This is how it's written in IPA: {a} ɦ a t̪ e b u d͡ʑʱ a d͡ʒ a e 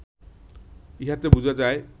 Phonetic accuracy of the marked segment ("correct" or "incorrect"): incorrect